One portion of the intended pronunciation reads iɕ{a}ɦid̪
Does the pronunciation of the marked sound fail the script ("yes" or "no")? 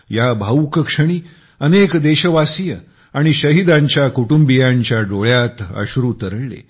yes